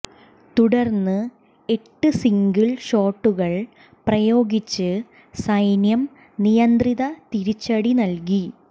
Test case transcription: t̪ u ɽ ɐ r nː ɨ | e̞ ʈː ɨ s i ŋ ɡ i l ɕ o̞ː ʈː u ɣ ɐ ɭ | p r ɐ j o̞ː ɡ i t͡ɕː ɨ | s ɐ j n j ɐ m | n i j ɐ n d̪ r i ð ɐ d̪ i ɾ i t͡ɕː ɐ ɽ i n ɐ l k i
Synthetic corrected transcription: t̪ u ɽ ɐ r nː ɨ | e̞ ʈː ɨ s i ŋ ɡ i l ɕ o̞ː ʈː u ɣ ɐ ɭ | p r ɐ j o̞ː ɡ i t͡ɕː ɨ | s ɐ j n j ɐ m | n i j ɐ n d̪ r i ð ɐ t̪ i ɾ i t͡ɕː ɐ ɽ i n ɐ l k i

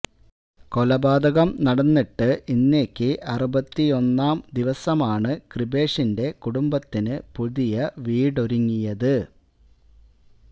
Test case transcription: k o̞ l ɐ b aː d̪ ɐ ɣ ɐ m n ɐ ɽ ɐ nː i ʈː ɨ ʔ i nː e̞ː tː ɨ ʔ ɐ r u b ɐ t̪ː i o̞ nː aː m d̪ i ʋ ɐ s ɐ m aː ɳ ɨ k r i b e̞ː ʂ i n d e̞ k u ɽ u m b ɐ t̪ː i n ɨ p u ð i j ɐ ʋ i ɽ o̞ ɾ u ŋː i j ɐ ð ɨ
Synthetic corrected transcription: k o̞ l ɐ b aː d̪ ɐ ɣ ɐ m n ɐ ɽ ɐ nː i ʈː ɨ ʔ i nː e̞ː kː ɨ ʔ ɐ r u b ɐ t̪ː i o̞ nː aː m d̪ i ʋ ɐ s ɐ m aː ɳ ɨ k r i b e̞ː ʂ i n d e̞ k u ɽ u m b ɐ t̪ː i n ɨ p u ð i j ɐ ʋ iː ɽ o̞ ɾ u ŋː i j ɐ ð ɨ

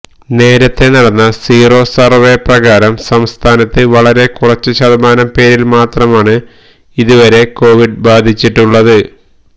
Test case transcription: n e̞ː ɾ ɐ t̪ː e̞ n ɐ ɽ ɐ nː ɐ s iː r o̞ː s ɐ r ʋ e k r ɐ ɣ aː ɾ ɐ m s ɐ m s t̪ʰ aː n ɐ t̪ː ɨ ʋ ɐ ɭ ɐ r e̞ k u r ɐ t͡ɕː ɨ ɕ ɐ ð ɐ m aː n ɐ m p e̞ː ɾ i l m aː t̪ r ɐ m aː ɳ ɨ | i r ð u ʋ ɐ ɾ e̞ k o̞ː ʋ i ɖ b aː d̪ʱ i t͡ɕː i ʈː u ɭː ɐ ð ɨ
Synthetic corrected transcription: n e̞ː ɾ ɐ t̪ː e̞ n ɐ ɽ ɐ nː ɐ s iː r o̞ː s ɐ r ʋ e p r ɐ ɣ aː ɾ ɐ m s ɐ m s t̪ʰ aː n ɐ t̪ː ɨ ʋ ɐ ɭ ɐ ɾ e̞ k u r ɐ t͡ɕː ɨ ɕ ɐ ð ɐ m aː n ɐ m p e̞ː ɾ i l m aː t̪ r ɐ m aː ɳ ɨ | i ð u ʋ ɐ ɾ e̞ k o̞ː ʋ i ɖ b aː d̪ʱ i t͡ɕː i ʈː u ɭː ɐ ð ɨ

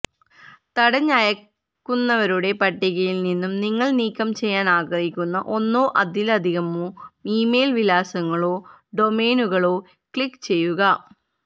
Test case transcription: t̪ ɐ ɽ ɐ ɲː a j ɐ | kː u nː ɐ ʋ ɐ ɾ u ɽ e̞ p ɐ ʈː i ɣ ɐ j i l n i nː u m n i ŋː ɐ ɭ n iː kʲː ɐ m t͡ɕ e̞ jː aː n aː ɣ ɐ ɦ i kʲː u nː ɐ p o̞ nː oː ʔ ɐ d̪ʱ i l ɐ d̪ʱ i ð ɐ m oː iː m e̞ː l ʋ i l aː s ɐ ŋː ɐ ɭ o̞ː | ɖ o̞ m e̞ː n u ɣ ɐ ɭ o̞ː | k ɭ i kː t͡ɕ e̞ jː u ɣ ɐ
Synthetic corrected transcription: t̪ ɐ ɽ ɐ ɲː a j ɐ | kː u nː ɐ ʋ ɐ ɾ u ɽ e̞ p ɐ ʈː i ɣ ɐ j i l n i nː u m n i ŋː ɐ ɭ n iː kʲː ɐ m t͡ɕ e̞ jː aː n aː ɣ ɐ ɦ i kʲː u nː ɐ ʔ o̞ nː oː ʔ ɐ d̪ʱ i l ɐ d̪ʱ i ɣ ɐ m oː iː m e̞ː l ʋ i l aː s ɐ ŋː ɐ ɭ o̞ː | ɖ o̞ m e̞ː n u ɣ ɐ ɭ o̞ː | k ɭ i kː t͡ɕ e̞ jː u ɣ ɐ

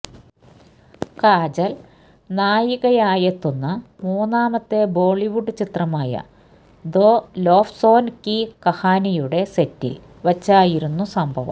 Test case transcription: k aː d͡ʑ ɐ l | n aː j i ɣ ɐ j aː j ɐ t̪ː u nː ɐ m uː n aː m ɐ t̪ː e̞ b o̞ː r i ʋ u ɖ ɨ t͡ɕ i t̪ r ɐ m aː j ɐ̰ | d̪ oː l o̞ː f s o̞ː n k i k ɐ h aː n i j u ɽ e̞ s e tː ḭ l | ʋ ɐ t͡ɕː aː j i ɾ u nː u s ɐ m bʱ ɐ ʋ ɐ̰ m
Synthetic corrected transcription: k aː d͡ʑ ɐ l | n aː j i ɣ ɐ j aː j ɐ t̪ː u nː ɐ m uː n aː m ɐ t̪ː e̞ b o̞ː ɭ i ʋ u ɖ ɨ t͡ɕ i t̪ r ɐ m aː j ɐ̰ | d̪ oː l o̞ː f s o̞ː n k i k ɐ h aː n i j u ɽ e̞ s e tː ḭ l | ʋ ɐ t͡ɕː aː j i ɾ u nː u s ɐ m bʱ ɐ ʋ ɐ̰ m

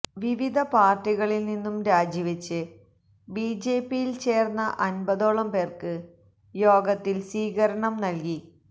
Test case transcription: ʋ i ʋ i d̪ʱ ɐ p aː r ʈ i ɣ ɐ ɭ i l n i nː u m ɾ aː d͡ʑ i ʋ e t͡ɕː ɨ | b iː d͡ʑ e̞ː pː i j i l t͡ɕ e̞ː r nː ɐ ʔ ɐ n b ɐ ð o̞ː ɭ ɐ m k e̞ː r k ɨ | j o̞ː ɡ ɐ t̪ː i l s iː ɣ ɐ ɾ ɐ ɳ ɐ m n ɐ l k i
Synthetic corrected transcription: ʋ i ʋ i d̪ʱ ɐ p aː r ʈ i ɣ ɐ ɭ i l n i nː u m ɾ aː d͡ʑ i ʋ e t͡ɕː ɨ | b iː d͡ʑ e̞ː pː i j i l t͡ɕ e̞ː r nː ɐ ʔ ɐ n b ɐ ð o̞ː ɭ ɐ m p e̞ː r k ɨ | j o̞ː ɡ ɐ t̪ː i l s iː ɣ ɐ ɾ ɐ ɳ ɐ m n ɐ l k i

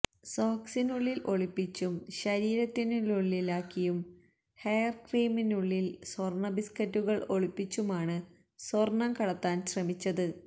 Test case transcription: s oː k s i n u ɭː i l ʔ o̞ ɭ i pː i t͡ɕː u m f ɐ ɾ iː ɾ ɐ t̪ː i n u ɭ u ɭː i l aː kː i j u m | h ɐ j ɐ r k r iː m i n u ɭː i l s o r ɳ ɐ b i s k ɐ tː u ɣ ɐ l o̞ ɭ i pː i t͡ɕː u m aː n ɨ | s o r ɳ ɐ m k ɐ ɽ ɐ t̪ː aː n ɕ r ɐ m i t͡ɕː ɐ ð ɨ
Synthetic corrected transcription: s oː k s i n u ɭː i l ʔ o̞ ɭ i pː i t͡ɕː u m ɕ ɐ ɾ iː ɾ ɐ t̪ː i n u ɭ u ɭː i l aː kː i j u m | h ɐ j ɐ r k r iː m i n u ɭː i l s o r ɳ ɐ b i s k ɐ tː u ɣ ɐ ɭ o̞ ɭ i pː i t͡ɕː u m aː ɳ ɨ | s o r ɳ ɐ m k ɐ ɽ ɐ t̪ː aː n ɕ r ɐ m i t͡ɕː ɐ ð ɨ

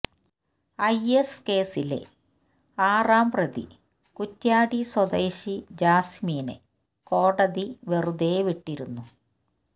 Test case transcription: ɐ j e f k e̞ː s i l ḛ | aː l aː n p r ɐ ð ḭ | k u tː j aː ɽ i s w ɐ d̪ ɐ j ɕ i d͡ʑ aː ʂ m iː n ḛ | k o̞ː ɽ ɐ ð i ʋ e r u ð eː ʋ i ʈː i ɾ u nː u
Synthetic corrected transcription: ɐ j e s k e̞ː s i l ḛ | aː r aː m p r ɐ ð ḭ | k u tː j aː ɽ i s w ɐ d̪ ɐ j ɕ i d͡ʑ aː s m iː n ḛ | k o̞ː ɽ ɐ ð i ʋ e r u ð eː ʋ i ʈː i ɾ u nː u

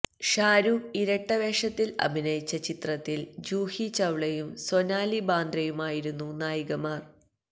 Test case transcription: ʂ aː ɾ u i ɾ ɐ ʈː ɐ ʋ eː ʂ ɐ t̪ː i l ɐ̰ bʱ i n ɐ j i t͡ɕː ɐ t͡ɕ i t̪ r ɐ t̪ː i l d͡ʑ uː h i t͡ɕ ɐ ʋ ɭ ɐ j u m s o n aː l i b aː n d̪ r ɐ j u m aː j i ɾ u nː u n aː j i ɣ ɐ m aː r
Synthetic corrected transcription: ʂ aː ɾ u i ɾ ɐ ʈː ɐ ʋ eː ʂ ɐ t̪ː i l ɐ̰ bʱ i n ɐ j i t͡ɕː ɐ t͡ɕ i t̪ r ɐ t̪ː i l d͡ʑ uː h i t͡ɕ ɐ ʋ ɭ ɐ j u m s o n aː l i b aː n d̪ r ɐ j u m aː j i ɾ u nː u n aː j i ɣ ɐ m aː r

